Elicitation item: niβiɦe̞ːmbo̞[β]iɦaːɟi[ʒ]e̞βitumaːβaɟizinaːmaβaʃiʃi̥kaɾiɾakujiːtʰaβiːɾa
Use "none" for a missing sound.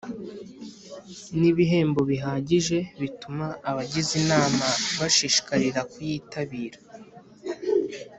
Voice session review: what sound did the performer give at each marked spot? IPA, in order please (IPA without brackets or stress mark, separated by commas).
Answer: β, ʒ